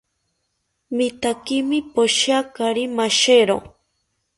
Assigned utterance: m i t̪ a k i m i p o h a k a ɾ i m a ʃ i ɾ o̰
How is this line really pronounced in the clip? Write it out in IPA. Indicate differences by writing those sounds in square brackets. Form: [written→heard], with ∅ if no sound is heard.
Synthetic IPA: m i t̪ a k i m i p o [h→ʃ] a k a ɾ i m a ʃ [i→e] ɾ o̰